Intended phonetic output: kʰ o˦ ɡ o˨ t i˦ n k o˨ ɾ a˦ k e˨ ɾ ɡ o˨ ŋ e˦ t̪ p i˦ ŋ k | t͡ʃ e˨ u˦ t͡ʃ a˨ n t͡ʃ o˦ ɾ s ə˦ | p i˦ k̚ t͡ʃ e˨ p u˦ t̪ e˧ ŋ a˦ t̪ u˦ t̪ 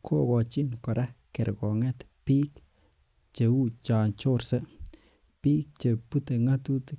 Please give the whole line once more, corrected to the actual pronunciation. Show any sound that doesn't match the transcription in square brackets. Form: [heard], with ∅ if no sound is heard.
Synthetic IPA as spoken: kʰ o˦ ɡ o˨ [t͡ʃ] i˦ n k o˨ ɾ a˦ k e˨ ɾ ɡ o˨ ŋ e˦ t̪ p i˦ [∅] k | t͡ʃ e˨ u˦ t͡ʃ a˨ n t͡ʃ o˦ ɾ s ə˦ | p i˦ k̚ t͡ʃ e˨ p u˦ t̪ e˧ ŋ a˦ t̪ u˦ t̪